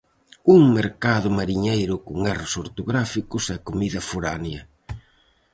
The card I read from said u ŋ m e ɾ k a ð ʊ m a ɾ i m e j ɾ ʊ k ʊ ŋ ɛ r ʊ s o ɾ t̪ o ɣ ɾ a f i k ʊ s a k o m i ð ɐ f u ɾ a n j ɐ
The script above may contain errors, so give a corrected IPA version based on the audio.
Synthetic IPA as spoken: u ŋ m e ɾ k a ð ʊ m a ɾ i ɲ e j ɾ ʊ k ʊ ŋ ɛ r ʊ s o ɾ t̪ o ɣ ɾ a f i k ʊ s ɛ k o m i ð ɐ f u ɾ a n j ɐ

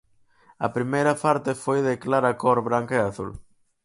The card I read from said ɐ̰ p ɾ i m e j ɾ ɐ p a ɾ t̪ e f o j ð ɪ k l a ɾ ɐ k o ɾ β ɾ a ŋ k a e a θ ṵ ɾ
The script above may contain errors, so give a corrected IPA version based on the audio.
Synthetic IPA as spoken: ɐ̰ p ɾ i m e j ɾ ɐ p a ɾ t̪ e f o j ð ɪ k l a ɾ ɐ k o ɾ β ɾ a ŋ k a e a θ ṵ l

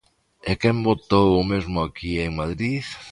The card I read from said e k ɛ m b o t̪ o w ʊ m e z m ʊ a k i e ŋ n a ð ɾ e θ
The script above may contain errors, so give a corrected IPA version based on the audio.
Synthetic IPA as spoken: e k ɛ m b o t̪ o w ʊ m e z m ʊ a k i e ŋ m a ð ɾ i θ

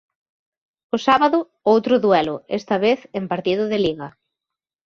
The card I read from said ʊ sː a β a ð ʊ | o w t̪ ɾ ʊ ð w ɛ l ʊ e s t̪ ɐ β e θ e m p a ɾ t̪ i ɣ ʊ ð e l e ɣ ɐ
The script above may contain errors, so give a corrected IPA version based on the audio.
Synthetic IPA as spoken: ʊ s a β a ð ʊ | o w t̪ ɾ ʊ ð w ɛ l ʊ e s t̪ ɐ β e θ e m p a ɾ t̪ i ð ʊ ð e l i ɣ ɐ

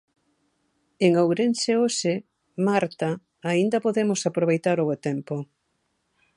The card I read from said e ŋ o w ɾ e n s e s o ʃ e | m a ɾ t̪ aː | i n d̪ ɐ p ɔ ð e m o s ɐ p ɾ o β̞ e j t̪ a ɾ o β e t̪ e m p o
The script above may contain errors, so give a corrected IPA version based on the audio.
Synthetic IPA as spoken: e ŋ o w ɾ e n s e o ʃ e | m a ɾ t̪ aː | i n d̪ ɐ p o ð e m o s a p ɾ o β̞ e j t̪ a ɾ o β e t̪ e m p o

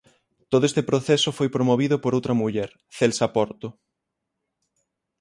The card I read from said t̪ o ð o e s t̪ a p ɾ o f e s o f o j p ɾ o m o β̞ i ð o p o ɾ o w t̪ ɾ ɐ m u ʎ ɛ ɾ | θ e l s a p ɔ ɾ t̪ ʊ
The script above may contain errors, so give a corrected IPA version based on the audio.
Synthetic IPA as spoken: t̪ o ð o e s t̪ e p ɾ o θ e s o f o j p ɾ o m o β̞ i ð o p o ɾ o w t̪ ɾ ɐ m u ʎ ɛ ɾ | θ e l s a p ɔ ɾ t̪ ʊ

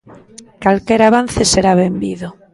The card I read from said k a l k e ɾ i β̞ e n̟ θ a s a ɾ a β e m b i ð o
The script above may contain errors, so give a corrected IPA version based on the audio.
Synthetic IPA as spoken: k a l k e ɾ a β̞ a n̟ θ e s e ɾ a β e m b i ð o

